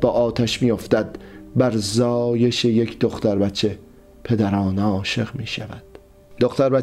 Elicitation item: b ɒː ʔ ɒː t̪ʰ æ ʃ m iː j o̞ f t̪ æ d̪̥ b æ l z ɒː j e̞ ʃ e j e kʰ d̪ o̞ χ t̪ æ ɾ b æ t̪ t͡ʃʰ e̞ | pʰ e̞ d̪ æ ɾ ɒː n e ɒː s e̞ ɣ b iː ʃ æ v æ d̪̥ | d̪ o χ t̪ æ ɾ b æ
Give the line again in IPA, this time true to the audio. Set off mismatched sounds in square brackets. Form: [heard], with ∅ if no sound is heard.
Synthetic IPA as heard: b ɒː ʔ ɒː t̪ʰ æ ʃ m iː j o̞ f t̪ æ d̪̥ b æ [ɾ] z ɒː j e̞ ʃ e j e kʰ d̪ o̞ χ t̪ æ ɾ b æ t̪ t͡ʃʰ e̞ | pʰ e̞ d̪ æ ɾ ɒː n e ɒː [ʃ] e̞ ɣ [m] iː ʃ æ v æ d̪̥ | d̪ o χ t̪ æ ɾ b æ